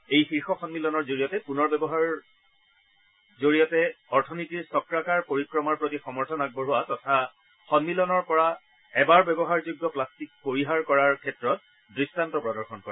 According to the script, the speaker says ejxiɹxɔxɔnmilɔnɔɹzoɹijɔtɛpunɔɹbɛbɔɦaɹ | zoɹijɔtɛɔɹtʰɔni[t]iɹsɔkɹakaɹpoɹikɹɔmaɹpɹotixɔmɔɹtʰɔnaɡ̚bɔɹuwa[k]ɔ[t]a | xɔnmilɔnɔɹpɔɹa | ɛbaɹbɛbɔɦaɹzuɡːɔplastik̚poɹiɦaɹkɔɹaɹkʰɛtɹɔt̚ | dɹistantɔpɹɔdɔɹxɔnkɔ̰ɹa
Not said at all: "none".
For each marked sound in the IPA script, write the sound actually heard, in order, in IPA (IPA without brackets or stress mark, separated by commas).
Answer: t, t, tʰ